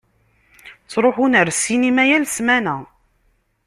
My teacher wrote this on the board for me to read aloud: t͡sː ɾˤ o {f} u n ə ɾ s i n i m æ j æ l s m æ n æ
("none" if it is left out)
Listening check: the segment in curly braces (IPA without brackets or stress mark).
ħ